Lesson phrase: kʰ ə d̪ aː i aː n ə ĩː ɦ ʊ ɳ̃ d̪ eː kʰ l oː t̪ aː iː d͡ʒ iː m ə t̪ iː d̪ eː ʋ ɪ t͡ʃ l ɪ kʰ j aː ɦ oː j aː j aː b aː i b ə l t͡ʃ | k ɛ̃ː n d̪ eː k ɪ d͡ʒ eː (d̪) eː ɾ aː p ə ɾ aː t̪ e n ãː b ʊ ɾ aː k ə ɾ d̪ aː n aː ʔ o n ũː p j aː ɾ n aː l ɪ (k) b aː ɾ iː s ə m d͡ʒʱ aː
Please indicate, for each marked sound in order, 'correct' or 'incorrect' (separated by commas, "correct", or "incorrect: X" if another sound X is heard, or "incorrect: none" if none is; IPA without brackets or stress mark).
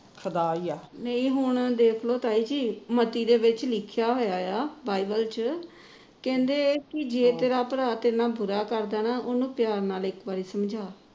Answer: incorrect: t̪, correct